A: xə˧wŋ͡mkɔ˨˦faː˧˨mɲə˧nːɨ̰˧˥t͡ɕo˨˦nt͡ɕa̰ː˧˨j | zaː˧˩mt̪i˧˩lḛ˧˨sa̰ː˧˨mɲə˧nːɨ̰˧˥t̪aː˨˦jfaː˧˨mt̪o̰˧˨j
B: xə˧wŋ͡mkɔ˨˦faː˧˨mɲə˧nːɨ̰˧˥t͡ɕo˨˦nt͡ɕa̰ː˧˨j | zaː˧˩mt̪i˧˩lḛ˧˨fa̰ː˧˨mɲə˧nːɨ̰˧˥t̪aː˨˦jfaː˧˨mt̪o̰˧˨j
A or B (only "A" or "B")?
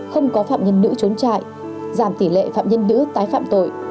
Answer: B